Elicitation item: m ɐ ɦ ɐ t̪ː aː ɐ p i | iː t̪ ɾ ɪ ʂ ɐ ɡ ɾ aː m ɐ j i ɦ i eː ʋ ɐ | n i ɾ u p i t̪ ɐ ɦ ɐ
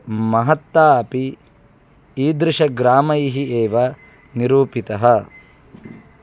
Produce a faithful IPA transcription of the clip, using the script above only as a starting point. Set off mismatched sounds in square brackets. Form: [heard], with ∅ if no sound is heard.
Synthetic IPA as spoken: m ɐ ɦ ɐ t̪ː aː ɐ p i | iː [d̪] ɾ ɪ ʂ ɐ ɡ ɾ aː m ɐ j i ɦ i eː ʋ ɐ | n i ɾ [uː] p i t̪ ɐ ɦ ɐ